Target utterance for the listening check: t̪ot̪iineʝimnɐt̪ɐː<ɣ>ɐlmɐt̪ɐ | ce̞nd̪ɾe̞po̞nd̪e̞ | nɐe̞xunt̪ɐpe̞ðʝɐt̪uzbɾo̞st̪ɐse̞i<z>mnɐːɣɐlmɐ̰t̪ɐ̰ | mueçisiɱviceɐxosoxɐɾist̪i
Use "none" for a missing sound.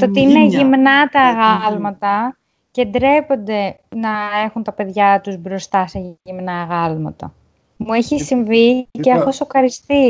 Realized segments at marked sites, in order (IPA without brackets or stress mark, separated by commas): ɣ, none